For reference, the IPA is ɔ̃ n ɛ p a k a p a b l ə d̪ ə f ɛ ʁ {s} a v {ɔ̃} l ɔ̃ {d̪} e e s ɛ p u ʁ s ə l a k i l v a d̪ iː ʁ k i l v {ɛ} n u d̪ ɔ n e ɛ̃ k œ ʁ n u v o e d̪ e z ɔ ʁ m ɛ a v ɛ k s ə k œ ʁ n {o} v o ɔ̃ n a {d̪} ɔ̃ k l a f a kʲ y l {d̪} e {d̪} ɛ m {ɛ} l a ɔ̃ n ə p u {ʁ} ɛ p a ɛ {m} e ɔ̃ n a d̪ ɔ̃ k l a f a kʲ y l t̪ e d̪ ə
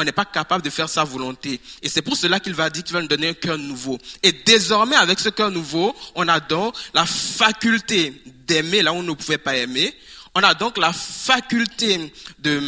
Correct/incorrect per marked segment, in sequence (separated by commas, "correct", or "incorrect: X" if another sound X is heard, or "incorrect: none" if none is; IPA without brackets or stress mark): correct, incorrect: ɔ, incorrect: t̪, incorrect: a, incorrect: u, correct, incorrect: t̪, correct, incorrect: e, incorrect: v, correct